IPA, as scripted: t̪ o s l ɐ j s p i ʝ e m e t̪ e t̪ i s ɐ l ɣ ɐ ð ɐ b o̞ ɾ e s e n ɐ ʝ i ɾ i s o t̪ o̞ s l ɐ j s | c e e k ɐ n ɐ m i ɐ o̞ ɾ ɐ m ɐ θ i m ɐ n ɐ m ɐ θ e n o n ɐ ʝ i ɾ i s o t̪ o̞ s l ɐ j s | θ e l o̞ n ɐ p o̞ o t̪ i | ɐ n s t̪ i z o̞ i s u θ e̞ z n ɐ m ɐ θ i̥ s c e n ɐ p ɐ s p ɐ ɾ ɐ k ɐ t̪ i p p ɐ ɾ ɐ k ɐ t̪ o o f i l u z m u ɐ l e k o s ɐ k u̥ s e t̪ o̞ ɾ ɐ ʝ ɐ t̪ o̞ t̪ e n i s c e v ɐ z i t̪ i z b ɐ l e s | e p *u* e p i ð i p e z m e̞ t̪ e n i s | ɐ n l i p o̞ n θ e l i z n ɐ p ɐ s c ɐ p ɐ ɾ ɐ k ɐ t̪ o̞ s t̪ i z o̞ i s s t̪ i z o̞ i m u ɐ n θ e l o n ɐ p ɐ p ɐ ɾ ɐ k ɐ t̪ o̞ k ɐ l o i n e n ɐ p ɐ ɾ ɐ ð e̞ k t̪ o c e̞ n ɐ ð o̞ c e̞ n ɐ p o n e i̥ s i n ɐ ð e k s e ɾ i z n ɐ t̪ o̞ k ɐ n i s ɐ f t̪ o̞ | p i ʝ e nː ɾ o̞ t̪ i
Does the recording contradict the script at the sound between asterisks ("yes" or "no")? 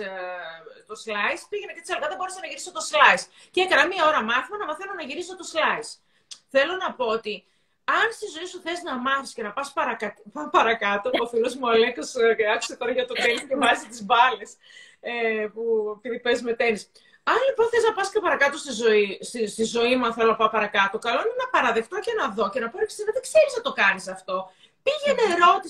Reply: no